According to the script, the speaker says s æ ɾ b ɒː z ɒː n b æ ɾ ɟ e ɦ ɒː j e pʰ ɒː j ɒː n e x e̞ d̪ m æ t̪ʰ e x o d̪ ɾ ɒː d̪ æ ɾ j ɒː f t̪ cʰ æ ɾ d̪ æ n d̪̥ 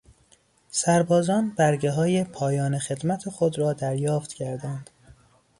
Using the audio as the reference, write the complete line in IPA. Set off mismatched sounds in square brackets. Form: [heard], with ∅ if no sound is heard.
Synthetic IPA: s æ ɾ b ɒː z ɒː n b æ ɾ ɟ e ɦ ɒː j e pʰ ɒː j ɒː n e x e̞ d̪ m æ t̪ʰ e x o d̪ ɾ ɒː d̪ æ ɾ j ɒː f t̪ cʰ æ ɾ d̪ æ n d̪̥